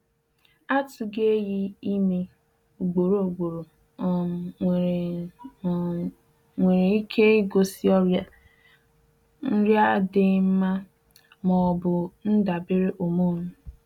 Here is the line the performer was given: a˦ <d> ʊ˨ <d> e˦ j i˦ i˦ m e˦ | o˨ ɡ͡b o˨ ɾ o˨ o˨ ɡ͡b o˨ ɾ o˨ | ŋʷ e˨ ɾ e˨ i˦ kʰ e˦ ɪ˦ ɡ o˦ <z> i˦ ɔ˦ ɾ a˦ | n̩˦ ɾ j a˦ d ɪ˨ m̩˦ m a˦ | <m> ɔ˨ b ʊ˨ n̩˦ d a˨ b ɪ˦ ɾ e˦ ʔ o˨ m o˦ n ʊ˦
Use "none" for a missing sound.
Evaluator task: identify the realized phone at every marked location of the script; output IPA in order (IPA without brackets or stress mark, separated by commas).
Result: t, ɡ, s, m